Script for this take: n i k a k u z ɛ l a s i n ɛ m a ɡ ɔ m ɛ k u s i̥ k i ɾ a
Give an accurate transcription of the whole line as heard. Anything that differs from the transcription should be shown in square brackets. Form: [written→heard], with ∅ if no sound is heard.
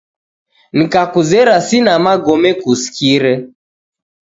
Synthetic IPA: n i k a k u z ɛ [l→ɾ] a s i n [ɛ→a] m a ɡ ɔ m ɛ k u s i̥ k i ɾ [a→ɛ]